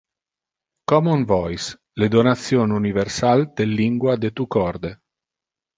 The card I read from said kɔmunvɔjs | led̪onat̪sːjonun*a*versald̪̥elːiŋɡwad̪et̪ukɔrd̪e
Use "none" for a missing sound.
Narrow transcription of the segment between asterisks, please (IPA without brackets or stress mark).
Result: i